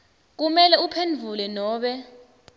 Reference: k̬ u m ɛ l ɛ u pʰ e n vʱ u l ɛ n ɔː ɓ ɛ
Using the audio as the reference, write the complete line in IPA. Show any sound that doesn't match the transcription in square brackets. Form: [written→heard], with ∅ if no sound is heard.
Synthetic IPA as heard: k̬ u m ɛ l ɛ u pʰ e n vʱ u l ɛ n ɔː ɓ ɛ